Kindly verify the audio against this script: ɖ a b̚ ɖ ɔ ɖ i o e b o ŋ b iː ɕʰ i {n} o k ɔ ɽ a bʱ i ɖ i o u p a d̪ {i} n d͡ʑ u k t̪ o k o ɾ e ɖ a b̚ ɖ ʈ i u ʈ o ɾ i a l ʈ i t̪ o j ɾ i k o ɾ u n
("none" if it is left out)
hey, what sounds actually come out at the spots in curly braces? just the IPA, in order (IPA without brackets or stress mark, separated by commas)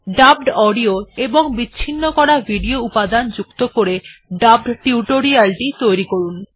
nː, a